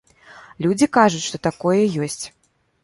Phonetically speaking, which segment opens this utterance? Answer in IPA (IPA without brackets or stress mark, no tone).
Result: lʲ